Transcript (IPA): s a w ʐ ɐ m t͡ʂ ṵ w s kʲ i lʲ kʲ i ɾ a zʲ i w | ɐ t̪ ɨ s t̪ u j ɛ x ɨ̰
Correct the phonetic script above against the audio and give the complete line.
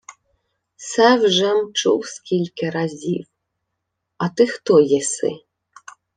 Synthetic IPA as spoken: s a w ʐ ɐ m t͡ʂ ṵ w s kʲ i lʲ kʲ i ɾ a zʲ i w | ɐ t̪ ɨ x t̪ ɔ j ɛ s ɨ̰